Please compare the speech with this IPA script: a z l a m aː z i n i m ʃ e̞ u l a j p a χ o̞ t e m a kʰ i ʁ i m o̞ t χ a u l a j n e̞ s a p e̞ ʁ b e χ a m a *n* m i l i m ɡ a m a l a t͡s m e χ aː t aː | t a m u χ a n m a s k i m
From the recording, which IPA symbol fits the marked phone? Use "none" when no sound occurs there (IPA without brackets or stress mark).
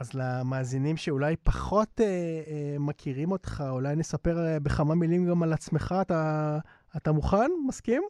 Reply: none